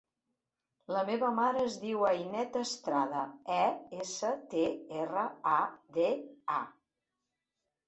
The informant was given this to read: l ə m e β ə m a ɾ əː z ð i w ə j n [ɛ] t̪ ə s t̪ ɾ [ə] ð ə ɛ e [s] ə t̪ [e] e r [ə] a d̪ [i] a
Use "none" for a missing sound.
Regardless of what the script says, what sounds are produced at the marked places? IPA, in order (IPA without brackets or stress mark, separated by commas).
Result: ɛ, a, s, e, ə, e